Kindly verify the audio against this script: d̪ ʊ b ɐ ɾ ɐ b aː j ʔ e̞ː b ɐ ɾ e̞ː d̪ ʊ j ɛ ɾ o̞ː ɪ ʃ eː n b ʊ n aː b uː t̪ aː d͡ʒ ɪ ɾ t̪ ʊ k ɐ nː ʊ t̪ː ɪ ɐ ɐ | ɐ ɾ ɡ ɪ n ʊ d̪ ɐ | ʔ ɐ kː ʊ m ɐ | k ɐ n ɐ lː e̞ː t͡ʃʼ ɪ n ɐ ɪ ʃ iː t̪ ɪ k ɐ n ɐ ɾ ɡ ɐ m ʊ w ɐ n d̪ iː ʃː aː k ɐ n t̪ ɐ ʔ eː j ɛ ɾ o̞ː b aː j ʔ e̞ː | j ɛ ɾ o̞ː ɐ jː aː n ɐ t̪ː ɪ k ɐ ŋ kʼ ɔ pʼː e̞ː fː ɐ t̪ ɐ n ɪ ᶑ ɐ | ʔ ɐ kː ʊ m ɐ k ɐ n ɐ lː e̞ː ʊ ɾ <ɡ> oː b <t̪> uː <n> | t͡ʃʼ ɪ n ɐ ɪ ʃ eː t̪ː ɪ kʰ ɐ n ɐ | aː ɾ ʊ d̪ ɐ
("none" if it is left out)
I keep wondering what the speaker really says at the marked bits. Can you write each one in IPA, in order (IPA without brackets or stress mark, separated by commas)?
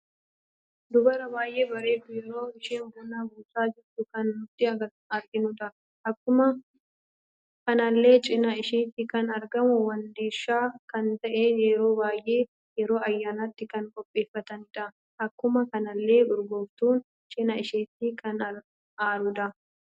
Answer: ɡ, t̪, n